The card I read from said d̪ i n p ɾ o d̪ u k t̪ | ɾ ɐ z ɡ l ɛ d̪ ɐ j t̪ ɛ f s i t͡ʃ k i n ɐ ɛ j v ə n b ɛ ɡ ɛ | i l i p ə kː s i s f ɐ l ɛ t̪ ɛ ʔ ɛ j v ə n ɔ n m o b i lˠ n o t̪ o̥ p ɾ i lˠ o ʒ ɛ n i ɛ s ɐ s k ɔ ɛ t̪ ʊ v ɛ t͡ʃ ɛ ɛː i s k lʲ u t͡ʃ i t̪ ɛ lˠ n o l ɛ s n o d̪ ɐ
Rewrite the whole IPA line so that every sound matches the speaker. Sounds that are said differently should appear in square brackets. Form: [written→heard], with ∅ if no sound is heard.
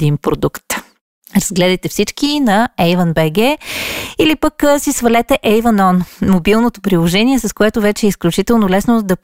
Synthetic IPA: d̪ i n p ɾ o d̪ u k t̪ | ɾ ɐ z ɡ l ɛ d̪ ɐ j t̪ ɛ f s i t͡ʃ k i n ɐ ɛ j v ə n b ɛ ɡ ɛ | i l i p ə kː s i s [f→v] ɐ l ɛ t̪ ɛ ʔ ɛ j v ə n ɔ n m o b i lˠ n o t̪ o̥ p ɾ i lˠ o ʒ ɛ n i ɛ s ɐ s k [ɔ→o] ɛ t̪ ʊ v ɛ t͡ʃ ɛ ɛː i s k lʲ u t͡ʃ i t̪ ɛ lˠ n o l ɛ s n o d̪ ɐ